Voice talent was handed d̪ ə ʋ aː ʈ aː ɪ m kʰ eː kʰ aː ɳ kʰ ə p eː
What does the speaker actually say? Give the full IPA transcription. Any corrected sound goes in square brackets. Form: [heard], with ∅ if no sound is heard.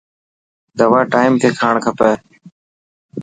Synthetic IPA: d̪ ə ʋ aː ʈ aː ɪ m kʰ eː kʰ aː ɳ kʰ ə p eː